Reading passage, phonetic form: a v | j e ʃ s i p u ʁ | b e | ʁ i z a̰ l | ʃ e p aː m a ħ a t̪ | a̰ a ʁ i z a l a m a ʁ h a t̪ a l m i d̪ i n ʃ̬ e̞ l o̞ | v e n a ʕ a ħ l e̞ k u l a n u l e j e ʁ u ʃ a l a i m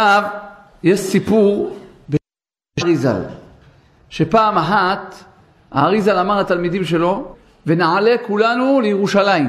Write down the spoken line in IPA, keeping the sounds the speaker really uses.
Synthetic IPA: a v | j e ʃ s i p u ʁ | b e | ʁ i z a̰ l | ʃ e p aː m a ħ a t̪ | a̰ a ʁ i z a l a m a ʁ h a t̪ a l m i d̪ i m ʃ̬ e̞ l o̞ | v e n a ʕ a l e̞ k u l a n u l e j e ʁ u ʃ a l a i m